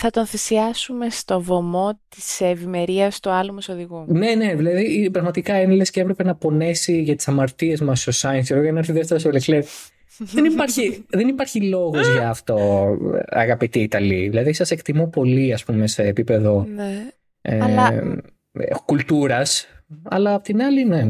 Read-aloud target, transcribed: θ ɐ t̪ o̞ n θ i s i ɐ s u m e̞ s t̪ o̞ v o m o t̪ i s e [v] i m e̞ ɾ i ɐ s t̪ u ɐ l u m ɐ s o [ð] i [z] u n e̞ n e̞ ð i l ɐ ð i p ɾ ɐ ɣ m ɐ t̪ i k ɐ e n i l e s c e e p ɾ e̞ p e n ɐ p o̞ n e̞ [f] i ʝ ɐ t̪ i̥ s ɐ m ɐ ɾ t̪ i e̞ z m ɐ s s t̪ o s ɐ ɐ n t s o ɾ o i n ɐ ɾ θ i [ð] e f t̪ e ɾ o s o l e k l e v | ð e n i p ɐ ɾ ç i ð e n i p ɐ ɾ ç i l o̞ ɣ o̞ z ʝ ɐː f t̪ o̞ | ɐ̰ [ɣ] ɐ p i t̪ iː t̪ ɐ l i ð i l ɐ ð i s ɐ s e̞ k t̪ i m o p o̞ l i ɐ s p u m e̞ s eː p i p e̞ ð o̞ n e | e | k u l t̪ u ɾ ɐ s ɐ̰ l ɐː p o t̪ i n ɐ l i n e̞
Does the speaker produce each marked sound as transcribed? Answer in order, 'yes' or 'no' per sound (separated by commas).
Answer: yes, yes, no, no, yes, yes